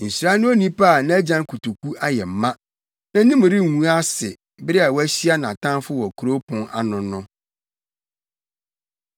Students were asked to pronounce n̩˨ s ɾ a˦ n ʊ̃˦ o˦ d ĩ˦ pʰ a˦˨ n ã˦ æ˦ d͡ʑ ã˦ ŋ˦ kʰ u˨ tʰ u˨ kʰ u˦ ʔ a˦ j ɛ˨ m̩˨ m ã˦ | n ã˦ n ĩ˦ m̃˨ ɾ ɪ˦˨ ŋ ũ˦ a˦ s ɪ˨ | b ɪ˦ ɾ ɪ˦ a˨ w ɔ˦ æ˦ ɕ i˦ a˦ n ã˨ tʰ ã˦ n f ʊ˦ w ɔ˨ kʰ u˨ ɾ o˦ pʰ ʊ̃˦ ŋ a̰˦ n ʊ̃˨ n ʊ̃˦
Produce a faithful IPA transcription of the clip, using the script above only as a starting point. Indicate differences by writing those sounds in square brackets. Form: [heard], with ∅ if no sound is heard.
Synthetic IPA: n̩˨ s ɾ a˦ n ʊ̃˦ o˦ [n] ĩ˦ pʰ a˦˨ n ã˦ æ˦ d͡ʑ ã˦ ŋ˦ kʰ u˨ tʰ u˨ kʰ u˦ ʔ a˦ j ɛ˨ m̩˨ m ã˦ | n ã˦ n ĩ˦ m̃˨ ɾ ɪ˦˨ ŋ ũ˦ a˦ s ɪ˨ | b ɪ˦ ɾ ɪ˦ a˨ w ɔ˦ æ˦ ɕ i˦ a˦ n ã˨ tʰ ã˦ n f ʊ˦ w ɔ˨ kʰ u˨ ɾ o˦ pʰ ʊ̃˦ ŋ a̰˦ n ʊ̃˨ n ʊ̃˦